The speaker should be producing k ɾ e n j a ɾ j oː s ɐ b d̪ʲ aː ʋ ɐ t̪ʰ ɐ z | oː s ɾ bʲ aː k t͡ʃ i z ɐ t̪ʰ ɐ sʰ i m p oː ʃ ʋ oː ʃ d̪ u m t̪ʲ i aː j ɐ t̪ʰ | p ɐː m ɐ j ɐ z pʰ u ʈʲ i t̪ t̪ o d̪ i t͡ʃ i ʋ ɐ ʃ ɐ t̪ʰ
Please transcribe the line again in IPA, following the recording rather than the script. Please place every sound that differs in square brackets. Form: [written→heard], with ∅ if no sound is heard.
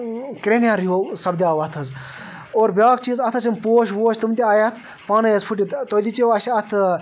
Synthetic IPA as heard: k ɾ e n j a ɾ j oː s ɐ b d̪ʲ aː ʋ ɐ t̪ʰ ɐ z | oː [s→∅] ɾ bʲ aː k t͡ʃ i z ɐ t̪ʰ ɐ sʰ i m p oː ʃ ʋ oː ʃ [d̪→t̪] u m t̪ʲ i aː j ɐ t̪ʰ | p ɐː [m→n] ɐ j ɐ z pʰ u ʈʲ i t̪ t̪ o d̪ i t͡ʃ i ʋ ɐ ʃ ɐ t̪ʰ